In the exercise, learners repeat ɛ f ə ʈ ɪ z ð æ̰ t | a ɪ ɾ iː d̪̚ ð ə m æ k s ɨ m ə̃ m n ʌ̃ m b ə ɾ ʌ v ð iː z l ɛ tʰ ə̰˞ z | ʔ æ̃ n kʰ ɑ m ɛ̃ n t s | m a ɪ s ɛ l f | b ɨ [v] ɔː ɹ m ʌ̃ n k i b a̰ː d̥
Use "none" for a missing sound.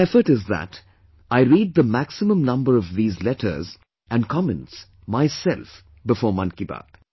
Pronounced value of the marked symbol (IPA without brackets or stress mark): f